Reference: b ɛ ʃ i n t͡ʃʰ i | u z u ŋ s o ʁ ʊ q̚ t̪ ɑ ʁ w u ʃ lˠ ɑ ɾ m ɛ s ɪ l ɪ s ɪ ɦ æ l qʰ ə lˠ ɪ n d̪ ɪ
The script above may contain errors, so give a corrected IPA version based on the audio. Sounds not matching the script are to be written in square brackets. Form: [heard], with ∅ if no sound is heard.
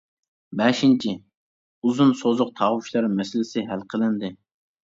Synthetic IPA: b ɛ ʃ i n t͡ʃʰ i | u z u [n] s o [z] ʊ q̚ [t̪ʰ] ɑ ʁ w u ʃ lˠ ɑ ɾ m ɛ s ɪ l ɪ s ɪ ɦ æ l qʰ ə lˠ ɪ n d̪ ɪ